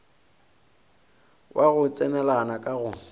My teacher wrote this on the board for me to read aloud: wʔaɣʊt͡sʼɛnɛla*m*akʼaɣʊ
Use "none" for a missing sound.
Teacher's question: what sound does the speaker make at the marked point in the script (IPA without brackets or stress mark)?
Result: n